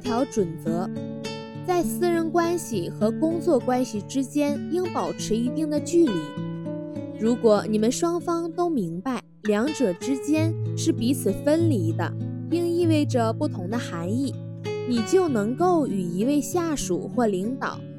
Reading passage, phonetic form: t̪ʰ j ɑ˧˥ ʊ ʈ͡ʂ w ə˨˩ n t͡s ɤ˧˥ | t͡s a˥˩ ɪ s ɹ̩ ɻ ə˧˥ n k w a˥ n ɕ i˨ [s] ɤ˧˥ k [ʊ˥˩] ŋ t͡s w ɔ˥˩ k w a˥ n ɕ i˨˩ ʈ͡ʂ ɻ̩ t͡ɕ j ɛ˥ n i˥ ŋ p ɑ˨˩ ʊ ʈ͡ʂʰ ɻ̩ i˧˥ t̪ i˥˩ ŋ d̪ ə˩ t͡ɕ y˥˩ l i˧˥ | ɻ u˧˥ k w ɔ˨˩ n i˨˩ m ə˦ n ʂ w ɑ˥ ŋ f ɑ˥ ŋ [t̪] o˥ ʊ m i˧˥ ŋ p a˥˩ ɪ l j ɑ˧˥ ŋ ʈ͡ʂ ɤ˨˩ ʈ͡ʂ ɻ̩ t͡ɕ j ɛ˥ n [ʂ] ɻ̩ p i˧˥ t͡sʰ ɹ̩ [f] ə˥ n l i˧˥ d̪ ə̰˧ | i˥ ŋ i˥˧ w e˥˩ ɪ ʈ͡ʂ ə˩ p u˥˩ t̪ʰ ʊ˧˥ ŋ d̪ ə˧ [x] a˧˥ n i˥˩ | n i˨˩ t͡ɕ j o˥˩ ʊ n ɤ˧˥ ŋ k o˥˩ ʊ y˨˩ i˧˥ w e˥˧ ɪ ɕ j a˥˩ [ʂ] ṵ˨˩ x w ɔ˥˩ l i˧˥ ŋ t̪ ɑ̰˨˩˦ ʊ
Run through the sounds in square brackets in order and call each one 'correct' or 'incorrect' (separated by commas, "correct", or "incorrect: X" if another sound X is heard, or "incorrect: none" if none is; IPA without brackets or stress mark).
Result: incorrect: x, incorrect: ʊ˥, correct, correct, correct, correct, correct